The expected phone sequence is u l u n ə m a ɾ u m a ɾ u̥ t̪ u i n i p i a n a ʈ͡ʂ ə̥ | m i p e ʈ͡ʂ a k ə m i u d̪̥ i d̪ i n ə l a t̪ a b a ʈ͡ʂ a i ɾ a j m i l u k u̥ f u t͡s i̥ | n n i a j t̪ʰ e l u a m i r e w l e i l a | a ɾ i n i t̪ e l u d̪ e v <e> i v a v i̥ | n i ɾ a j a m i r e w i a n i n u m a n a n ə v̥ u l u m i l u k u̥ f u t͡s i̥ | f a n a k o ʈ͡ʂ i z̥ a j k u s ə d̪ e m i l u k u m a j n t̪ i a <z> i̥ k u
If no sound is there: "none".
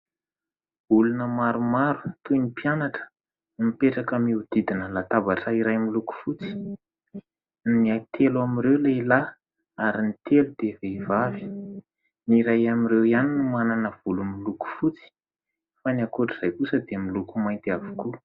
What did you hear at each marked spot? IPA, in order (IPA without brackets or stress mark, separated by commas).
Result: e, v